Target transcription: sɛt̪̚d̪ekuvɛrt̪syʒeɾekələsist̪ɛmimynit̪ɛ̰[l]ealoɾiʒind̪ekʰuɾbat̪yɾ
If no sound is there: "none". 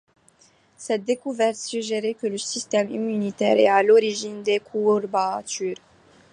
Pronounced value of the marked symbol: ɾ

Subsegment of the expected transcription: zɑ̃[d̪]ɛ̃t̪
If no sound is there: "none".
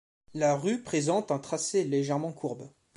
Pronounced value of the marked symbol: t̪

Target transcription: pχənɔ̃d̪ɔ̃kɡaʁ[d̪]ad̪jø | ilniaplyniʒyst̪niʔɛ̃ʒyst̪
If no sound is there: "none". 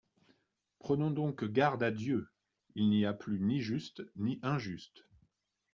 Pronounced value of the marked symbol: d̪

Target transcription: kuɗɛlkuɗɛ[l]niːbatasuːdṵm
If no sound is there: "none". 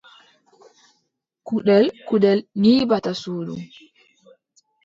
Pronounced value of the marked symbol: l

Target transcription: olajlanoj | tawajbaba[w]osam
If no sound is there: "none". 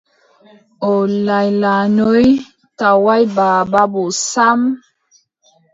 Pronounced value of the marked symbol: b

